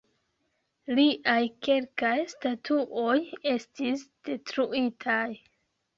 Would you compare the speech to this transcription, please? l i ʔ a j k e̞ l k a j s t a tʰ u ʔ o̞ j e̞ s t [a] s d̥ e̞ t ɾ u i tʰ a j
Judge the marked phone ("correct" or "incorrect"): incorrect